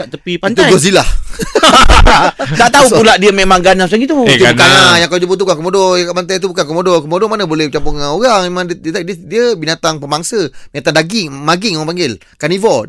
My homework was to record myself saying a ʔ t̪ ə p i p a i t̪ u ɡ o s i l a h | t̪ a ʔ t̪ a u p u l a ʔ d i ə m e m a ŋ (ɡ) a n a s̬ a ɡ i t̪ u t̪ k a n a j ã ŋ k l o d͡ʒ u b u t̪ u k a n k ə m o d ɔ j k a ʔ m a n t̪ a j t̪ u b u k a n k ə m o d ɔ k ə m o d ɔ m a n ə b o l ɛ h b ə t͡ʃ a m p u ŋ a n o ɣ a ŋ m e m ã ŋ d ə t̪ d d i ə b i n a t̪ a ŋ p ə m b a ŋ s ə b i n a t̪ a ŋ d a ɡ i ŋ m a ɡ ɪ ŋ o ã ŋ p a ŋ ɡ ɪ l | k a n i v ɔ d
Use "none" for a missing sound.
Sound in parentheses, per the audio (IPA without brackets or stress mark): ɡ